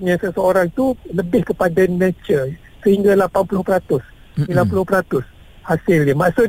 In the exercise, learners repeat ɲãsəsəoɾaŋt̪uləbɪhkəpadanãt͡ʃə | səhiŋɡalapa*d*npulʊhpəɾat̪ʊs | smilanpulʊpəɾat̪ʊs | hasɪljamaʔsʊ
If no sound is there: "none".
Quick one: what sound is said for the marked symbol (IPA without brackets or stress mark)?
none